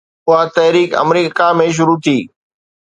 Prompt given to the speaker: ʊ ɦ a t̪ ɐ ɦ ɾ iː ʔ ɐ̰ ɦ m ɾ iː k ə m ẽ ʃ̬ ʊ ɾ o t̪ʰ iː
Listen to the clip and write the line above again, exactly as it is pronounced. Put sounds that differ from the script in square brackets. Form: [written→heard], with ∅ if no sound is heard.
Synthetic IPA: ʊ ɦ a t̪ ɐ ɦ ɾ iː [ʔ→k] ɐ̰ [ɦ→∅] m ɾ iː k [ə→a] m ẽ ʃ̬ ʊ ɾ [o→u] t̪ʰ iː